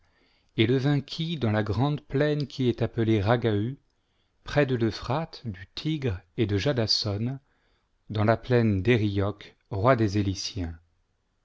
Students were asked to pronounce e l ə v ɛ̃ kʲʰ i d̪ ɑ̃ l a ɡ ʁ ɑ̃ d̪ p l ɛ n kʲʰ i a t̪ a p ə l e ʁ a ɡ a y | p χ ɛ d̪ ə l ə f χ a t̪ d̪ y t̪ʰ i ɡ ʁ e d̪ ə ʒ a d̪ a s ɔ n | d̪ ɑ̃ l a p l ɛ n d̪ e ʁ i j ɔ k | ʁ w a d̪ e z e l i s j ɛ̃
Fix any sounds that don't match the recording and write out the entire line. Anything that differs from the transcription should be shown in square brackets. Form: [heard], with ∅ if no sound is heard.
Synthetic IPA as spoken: e l ə v ɛ̃ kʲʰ i d̪ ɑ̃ l a ɡ ʁ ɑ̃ d̪ p l ɛ n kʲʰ i [ɛ] t̪ a p ə l e ʁ a ɡ a y | p χ ɛ d̪ ə l ə f χ a t̪ d̪ y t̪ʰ i ɡ ʁ e d̪ ə ʒ a d̪ a s ɔ n | d̪ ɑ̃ l a p l ɛ n d̪ e ʁ i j ɔ k | ʁ w a d̪ e z e l i s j ɛ̃